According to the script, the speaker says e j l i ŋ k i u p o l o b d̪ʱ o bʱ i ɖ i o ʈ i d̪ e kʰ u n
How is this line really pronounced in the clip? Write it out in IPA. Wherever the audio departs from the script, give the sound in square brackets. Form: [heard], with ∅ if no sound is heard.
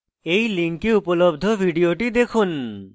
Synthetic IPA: e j l i ŋ k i u p o l o b d̪ʱ o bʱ i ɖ i o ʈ i d̪ e kʰ u n